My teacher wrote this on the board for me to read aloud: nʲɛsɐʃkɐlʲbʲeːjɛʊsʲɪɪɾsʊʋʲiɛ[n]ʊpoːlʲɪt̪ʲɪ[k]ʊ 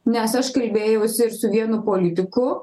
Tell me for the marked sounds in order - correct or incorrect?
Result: correct, correct

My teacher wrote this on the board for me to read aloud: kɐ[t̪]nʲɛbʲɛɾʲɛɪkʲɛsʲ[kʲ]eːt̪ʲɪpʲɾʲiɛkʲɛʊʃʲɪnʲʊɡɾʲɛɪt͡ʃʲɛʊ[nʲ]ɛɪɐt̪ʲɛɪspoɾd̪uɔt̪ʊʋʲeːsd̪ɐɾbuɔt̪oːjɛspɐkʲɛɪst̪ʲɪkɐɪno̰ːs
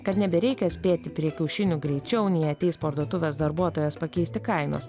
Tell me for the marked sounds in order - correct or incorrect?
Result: correct, incorrect, correct

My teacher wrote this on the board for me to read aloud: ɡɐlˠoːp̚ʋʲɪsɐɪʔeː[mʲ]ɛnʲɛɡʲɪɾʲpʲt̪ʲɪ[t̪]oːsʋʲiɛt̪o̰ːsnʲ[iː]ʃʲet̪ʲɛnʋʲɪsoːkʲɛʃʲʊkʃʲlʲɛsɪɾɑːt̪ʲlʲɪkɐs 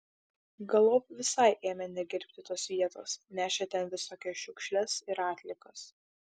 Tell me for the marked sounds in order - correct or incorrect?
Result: correct, correct, incorrect

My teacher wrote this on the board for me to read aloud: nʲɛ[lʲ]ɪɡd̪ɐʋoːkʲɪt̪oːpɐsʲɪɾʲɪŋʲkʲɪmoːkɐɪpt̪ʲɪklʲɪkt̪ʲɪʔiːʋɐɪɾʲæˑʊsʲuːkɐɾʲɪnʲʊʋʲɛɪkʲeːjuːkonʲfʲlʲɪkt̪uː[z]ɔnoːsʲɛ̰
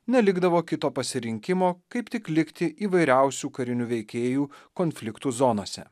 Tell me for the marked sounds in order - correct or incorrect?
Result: correct, correct

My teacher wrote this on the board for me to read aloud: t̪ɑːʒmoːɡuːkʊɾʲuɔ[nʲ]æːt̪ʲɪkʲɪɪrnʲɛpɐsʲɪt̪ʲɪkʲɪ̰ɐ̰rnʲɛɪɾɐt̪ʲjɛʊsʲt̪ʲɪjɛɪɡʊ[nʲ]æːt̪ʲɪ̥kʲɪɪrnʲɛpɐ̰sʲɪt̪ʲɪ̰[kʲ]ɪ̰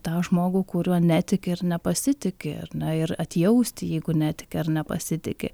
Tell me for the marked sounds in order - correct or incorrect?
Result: correct, correct, correct

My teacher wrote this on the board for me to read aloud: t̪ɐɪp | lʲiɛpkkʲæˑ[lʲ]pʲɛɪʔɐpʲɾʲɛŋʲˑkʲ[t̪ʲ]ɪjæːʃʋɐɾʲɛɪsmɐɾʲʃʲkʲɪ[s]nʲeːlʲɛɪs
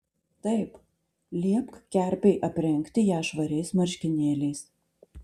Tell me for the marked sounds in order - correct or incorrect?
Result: incorrect, correct, incorrect

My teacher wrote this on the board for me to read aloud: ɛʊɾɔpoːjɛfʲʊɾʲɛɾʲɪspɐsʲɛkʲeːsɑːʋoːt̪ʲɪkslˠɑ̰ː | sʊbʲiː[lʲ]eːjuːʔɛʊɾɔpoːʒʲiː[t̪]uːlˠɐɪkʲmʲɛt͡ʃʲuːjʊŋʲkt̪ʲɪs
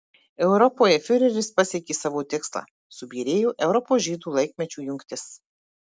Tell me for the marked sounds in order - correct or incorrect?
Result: incorrect, incorrect

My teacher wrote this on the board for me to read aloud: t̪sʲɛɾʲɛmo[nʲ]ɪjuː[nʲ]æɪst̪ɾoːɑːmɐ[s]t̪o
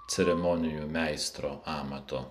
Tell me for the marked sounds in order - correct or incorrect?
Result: correct, incorrect, incorrect

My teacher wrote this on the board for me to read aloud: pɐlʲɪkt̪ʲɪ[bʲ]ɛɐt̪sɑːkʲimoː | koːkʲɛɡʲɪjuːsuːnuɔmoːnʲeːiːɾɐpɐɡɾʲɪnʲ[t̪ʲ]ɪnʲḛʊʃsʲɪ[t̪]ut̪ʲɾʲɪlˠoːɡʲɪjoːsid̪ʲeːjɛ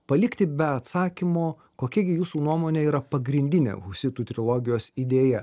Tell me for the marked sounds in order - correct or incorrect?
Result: correct, incorrect, correct

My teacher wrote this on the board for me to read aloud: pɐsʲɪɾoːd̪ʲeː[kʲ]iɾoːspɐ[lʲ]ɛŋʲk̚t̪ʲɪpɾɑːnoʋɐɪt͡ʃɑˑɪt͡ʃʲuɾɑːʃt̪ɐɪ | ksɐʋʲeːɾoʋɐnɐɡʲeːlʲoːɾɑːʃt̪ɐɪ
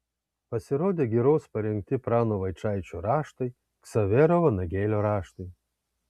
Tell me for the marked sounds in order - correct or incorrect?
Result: incorrect, incorrect

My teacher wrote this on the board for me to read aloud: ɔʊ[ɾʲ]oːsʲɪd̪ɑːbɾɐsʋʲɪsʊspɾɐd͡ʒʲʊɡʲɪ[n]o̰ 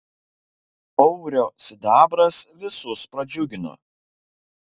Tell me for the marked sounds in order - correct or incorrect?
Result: correct, correct

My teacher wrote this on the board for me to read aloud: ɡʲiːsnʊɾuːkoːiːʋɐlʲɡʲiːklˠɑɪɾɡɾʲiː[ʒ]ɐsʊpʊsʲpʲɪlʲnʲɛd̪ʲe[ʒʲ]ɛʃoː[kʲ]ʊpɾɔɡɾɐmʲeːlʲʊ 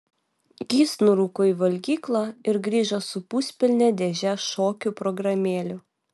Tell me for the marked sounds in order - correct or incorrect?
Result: correct, correct, correct

